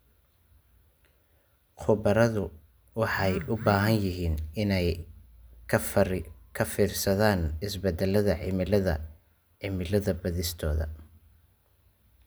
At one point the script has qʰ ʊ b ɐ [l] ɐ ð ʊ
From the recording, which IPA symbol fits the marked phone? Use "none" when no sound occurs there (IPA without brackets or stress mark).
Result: ɾ